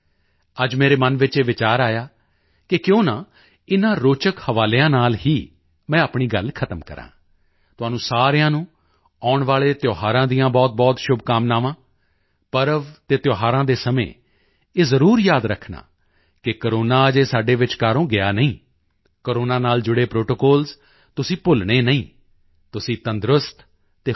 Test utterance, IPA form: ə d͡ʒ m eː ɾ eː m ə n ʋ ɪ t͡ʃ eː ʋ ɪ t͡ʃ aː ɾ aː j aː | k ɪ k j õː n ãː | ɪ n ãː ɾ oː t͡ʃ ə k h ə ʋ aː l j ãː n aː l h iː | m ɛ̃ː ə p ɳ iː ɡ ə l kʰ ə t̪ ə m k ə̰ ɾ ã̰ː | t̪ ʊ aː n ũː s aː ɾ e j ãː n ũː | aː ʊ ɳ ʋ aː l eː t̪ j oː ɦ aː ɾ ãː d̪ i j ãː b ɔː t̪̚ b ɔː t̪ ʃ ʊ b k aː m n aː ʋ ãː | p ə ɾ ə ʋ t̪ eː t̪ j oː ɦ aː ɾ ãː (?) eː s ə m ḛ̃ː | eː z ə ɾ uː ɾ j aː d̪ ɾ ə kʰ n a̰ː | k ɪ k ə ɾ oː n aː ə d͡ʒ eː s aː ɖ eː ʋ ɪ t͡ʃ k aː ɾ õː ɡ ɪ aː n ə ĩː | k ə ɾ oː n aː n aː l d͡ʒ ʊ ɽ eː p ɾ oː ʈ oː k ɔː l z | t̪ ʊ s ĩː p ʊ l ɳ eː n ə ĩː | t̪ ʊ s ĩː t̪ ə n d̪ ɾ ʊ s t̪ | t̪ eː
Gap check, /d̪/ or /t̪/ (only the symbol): d̪